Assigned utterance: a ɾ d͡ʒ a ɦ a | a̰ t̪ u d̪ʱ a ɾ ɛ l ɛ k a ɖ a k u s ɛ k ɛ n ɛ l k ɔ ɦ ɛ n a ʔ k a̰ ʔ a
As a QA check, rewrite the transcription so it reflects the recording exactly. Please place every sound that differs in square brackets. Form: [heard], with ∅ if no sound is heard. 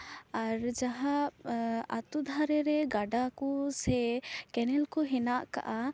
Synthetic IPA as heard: a ɾ d͡ʒ a ɦ a | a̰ t̪ u d̪ʱ a ɾ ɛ [ɾ] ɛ [ɡ] a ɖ a k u s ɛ k ɛ n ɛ l k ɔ ɦ ɛ n a ʔ k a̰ ʔ a

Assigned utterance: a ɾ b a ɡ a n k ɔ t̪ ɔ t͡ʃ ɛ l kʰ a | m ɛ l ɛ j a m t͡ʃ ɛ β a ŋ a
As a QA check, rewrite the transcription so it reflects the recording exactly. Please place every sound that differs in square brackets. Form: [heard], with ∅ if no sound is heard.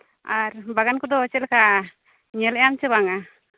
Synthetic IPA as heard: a ɾ b a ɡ a n k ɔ [d̪] ɔ t͡ʃ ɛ l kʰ a | [ɲ] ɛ l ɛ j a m t͡ʃ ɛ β a ŋ a

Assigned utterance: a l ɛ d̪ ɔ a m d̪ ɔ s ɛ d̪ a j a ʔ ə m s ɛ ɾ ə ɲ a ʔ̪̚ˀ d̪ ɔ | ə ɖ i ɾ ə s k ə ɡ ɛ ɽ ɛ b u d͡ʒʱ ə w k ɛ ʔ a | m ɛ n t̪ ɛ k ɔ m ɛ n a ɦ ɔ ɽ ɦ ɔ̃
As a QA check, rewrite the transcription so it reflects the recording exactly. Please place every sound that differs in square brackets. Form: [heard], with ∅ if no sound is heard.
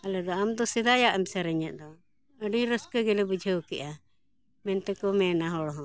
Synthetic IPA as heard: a l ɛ d̪ ɔ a m d̪ ɔ s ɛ d̪ a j a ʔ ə m s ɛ ɾ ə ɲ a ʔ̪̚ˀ d̪ ɔ | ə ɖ i ɾ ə s k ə ɡ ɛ [l] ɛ b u d͡ʒʱ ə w k ɛ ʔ a | m ɛ n t̪ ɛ k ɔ m ɛ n a ɦ ɔ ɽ ɦ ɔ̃

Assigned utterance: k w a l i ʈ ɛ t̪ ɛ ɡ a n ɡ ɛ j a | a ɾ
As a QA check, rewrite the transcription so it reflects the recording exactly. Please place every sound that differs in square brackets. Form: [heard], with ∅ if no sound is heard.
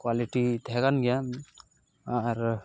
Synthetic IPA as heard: k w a l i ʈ [i] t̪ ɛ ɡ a n ɡ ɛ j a | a ɾ

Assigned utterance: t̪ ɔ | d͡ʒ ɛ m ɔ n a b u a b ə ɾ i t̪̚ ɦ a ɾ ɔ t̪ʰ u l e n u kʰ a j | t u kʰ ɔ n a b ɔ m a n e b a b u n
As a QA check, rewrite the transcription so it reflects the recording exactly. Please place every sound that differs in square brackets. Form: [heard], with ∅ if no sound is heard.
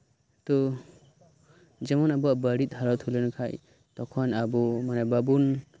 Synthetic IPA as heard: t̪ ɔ | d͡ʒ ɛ m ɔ n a b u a b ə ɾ i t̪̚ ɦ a ɾ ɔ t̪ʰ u l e n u kʰ a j | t [ɔ] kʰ ɔ n a b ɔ m a n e b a b u n

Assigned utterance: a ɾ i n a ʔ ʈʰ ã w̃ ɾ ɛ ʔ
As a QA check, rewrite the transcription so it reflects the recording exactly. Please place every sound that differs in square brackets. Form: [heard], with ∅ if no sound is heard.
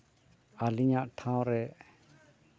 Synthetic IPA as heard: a [l] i [ɲ] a ʔ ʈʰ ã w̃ ɾ ɛ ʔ

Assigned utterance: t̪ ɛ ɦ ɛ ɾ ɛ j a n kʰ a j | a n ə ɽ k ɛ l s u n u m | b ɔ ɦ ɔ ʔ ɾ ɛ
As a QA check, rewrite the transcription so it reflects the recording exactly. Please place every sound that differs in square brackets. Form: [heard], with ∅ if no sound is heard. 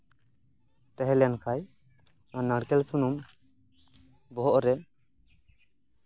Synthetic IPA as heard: t̪ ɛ ɦ ɛ [l] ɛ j a n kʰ a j | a n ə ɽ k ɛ l s u n u m | b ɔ ɦ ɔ ʔ ɾ ɛ

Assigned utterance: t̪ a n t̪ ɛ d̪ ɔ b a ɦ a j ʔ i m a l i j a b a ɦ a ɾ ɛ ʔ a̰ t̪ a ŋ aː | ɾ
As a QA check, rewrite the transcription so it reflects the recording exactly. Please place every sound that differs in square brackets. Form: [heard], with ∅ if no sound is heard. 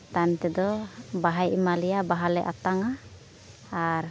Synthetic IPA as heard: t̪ a n t̪ ɛ d̪ ɔ b a ɦ a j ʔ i m a l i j a b a ɦ a [l] ɛ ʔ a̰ t̪ a ŋ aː | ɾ

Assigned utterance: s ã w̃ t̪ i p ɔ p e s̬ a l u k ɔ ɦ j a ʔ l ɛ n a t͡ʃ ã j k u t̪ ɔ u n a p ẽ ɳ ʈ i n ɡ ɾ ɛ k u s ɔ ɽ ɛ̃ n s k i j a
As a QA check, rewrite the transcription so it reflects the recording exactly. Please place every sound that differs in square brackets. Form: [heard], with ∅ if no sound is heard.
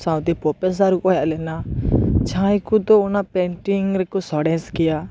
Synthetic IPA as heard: s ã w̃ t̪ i p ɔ p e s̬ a [ɾ] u k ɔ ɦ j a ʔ l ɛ n a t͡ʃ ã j k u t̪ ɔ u n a p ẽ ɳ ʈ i [ŋ] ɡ ɾ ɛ k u s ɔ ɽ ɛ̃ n s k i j a

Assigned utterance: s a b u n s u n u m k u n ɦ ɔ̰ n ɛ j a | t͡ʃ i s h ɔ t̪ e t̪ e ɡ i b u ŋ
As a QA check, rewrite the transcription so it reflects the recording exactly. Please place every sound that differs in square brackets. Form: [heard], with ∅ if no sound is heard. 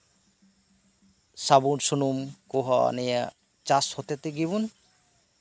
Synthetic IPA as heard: s a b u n s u n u m k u [∅] ɦ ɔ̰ n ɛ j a | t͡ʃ [a] s h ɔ t̪ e t̪ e ɡ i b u [n]

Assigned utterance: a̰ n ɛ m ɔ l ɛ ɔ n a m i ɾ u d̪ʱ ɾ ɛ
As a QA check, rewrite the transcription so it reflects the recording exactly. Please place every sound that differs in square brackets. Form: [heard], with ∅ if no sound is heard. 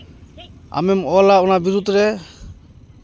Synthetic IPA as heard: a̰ [m] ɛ m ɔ l [a] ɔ n a [b] i ɾ u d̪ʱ ɾ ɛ

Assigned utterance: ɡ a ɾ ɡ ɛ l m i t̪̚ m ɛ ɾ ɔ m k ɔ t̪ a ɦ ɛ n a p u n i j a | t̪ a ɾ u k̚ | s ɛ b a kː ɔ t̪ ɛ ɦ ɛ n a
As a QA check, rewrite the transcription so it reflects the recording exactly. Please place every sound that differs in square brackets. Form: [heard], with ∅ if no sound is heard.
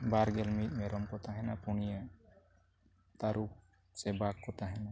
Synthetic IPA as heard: [b] a ɾ ɡ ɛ l m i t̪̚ m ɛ ɾ ɔ m k ɔ t̪ a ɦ ɛ n a p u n i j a | t̪ a ɾ u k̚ | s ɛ b a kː ɔ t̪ [a] ɦ ɛ n a

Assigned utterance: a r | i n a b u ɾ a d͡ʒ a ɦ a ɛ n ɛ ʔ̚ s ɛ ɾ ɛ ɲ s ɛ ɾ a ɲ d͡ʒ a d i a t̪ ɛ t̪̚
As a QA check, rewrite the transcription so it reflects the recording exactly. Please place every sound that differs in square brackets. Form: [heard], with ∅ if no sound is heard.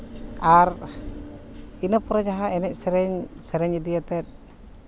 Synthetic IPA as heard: a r | i n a [p] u ɾ a d͡ʒ a ɦ a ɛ n ɛ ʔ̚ s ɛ ɾ ɛ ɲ s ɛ ɾ [ɛ] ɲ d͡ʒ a d i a t̪ ɛ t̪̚

